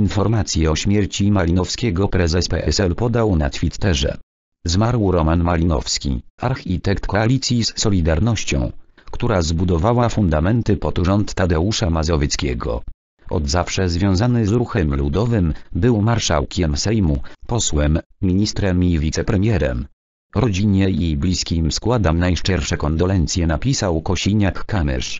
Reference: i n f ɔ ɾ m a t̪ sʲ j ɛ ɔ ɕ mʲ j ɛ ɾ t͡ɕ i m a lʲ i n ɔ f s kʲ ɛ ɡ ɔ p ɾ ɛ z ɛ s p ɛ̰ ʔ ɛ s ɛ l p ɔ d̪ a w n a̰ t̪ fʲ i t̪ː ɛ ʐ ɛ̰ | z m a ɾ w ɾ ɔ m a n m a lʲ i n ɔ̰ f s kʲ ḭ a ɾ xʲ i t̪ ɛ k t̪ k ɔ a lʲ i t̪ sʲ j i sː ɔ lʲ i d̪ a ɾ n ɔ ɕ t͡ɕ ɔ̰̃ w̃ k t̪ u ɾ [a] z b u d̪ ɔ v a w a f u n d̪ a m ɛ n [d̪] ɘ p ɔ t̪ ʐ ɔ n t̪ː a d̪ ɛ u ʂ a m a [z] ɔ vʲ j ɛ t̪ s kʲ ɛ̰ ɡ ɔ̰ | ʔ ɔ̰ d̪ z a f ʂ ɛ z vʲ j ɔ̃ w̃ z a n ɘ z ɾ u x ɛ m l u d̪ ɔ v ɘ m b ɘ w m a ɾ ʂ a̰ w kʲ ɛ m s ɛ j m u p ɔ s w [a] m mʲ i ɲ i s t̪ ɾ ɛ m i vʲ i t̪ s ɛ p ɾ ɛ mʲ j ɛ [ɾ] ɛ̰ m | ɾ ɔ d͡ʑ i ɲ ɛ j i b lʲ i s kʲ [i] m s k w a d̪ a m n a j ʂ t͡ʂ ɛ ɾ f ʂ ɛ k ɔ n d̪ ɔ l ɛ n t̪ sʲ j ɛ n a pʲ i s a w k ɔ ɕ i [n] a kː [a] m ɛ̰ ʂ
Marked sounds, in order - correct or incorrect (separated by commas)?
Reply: correct, incorrect, correct, incorrect, correct, correct, incorrect, correct